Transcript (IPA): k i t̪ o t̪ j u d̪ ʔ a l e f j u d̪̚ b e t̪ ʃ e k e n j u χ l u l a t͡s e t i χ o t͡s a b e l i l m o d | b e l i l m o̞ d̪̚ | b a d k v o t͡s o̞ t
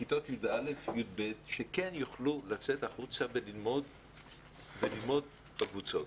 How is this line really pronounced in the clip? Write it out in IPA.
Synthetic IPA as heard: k i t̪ o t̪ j u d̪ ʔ a l e f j u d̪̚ b e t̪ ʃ e k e n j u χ l u l a t͡s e t a χ u t͡s a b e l i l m o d | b e l i l m o̞ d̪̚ | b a k v u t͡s o̞ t